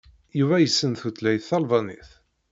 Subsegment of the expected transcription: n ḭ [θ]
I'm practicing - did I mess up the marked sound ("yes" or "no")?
no